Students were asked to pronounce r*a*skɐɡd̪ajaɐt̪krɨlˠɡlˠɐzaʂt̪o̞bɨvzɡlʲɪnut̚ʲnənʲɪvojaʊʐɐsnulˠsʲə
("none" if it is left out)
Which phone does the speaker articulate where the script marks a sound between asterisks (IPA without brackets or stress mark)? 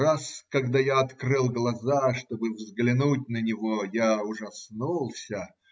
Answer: a